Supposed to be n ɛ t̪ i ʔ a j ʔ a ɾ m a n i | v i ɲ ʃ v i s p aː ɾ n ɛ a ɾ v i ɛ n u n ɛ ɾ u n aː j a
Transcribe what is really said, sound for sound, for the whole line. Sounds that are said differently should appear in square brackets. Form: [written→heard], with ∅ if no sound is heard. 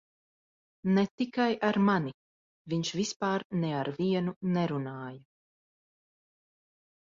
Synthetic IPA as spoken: n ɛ t̪ i [ʔ→k] a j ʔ a ɾ m a n i | v i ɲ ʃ v i s p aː ɾ n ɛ a ɾ v i ɛ n u n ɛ ɾ u n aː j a